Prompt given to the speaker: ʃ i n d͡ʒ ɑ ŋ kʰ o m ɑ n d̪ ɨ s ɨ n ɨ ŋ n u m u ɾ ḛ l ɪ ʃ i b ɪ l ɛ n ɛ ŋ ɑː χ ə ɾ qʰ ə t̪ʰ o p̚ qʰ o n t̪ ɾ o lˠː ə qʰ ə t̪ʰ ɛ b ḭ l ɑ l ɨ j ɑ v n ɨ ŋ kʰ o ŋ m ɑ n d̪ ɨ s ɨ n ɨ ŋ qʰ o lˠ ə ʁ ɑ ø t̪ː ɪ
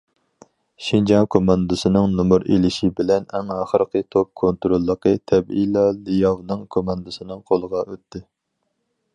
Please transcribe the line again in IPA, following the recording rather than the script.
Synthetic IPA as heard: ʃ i n d͡ʒ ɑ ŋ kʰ o m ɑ n d̪ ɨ s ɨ n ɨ ŋ n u m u ɾ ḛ l ɪ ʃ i b ɪ l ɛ n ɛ ŋ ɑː χ ə ɾ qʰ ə t̪ʰ o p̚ kʰ o n t̪ ɾ o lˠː ə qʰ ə t̪ʰ ɛ b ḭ l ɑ l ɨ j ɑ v n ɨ ŋ kʰ o m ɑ n d̪ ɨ s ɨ n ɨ ŋ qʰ o lˠ ə ʁ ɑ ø t̪ː ɪ

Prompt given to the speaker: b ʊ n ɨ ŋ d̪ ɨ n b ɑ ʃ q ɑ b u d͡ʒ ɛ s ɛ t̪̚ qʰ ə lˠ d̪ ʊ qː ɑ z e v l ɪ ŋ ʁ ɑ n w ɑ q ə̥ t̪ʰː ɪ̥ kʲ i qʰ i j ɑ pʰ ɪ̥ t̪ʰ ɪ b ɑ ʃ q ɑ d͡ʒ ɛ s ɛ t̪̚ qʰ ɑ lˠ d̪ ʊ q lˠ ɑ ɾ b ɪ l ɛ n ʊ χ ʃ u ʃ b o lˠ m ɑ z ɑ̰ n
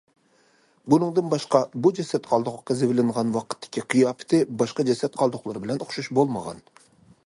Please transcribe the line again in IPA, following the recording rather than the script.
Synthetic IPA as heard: b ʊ n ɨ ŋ d̪ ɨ n b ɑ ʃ q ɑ b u d͡ʒ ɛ s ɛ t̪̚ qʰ ɑ lˠ d̪ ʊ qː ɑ z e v l ɪ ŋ ʁ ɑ n w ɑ q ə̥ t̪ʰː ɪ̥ kʲ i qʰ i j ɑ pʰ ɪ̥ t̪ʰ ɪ b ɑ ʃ q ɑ d͡ʒ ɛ s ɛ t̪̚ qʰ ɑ lˠ d̪ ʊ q lˠ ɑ ɾ b ɪ l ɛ n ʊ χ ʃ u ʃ b o lˠ m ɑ ʁ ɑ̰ n

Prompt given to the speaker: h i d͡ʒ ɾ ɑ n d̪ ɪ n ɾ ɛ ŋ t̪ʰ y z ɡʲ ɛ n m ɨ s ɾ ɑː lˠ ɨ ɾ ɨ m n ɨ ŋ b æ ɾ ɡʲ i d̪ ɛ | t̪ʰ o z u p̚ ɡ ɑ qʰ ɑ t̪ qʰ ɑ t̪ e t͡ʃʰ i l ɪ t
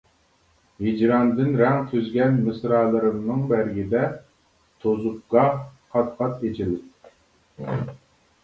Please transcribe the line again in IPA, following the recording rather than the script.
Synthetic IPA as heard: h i d͡ʒ ɾ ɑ n d̪ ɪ n ɾ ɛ ŋ t̪ʰ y z ɡʲ ɛ n m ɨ s ɾ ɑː lˠ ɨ ɾ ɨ m n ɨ ŋ b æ ɾ ɡʲ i d̪ ɛ | t̪ʰ o z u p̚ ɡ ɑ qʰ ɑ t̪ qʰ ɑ t̪ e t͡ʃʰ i l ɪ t

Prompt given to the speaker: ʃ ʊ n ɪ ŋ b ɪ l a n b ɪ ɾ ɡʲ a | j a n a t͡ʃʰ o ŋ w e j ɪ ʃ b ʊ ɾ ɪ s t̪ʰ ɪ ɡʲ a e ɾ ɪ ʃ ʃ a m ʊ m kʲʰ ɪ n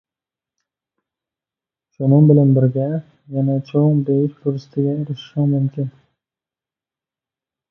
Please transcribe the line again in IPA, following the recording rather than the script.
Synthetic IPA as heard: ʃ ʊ n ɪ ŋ b ɪ l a n b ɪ ɾ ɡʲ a | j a n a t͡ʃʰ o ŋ b e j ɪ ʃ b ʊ ɾ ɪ s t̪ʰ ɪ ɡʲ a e ɾ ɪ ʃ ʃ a m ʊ m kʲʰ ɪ n

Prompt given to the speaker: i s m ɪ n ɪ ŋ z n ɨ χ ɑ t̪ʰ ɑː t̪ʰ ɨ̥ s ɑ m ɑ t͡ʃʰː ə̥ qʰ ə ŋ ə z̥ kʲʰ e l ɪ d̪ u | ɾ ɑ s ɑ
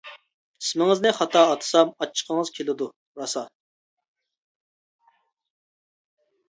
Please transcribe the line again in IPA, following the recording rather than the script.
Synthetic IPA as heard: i s m ɪ ŋ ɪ z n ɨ χ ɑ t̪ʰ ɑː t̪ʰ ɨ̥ s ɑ m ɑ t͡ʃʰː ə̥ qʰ ə ŋ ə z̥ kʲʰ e l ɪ d̪ u | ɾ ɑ s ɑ

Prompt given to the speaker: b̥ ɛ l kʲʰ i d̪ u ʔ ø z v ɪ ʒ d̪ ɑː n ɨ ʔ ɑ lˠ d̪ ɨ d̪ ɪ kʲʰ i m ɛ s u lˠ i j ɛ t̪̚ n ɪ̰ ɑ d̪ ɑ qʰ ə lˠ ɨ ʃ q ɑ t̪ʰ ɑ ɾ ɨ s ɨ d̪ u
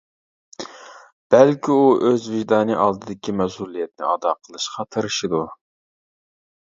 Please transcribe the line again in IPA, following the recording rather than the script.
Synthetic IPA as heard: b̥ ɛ l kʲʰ i u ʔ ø z v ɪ ʒ d̪ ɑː n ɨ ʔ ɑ lˠ d̪ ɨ d̪ ɪ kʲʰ i m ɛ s u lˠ i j ɛ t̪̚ n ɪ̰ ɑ d̪ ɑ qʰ ə lˠ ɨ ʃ q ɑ t̪ʰ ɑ ɾ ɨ ʃ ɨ d̪ u

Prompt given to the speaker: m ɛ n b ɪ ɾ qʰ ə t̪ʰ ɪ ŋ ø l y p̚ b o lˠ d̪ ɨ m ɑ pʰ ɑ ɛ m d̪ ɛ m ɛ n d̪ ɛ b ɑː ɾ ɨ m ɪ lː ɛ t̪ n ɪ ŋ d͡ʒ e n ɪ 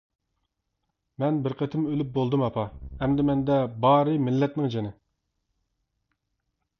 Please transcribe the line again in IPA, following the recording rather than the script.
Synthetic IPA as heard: m ɛ n b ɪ ɾ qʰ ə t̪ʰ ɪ m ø l y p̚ b o lˠ d̪ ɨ m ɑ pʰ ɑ ɛ m d̪ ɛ m ɛ n d̪ ɛ b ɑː ɾ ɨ m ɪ lː ɛ t̪ n ɪ ŋ d͡ʒ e n ɪ

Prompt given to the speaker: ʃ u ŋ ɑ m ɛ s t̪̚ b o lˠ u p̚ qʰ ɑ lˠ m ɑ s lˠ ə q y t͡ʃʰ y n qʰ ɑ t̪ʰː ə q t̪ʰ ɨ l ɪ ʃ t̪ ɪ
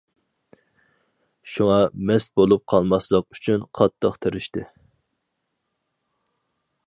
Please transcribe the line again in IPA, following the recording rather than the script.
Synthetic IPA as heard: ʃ u ŋ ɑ m ɛ s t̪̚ b o lˠ u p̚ qʰ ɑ lˠ m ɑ s lˠ ə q y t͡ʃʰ y n qʰ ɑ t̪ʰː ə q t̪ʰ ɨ ɾ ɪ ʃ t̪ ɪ

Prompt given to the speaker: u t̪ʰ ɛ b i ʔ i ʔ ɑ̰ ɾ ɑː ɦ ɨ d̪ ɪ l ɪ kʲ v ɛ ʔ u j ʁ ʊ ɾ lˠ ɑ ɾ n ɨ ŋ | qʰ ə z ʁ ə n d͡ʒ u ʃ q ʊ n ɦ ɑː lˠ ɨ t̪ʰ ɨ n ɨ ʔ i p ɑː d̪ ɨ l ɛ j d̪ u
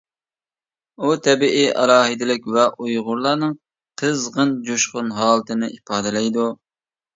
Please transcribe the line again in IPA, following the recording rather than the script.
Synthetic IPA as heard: u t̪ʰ ɛ b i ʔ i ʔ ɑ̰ ɾ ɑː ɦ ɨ d̪ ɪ l ɪ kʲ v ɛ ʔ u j ʁ ʊ ɾ lˠ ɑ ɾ n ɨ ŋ | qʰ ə z ʁ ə n d͡ʒ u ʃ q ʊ n ɦ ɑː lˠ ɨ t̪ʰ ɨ n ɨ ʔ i p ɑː d̪ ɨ l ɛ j d̪ u

